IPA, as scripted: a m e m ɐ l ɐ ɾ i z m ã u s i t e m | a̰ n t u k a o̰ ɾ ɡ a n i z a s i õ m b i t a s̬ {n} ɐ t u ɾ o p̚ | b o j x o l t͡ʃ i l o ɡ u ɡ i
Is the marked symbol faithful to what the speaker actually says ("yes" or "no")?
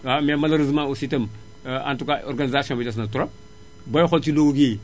yes